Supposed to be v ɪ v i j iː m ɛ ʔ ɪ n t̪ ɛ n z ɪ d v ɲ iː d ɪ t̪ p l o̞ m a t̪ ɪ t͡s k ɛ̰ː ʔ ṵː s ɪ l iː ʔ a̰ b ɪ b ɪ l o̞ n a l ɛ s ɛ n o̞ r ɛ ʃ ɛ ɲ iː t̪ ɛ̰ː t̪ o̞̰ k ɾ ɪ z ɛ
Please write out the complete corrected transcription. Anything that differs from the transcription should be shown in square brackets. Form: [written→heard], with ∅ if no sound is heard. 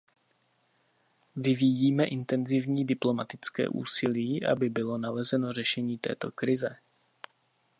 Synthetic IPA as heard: v ɪ v i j iː m ɛ ʔ ɪ n t̪ ɛ n z ɪ [d→∅] v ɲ iː d ɪ [t̪→∅] p l o̞ m a t̪ ɪ t͡s k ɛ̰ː ʔ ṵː s ɪ l iː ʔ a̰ b ɪ b ɪ l o̞ n a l ɛ [s→z] ɛ n o̞ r ɛ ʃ ɛ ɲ iː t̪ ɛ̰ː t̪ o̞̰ k ɾ ɪ z ɛ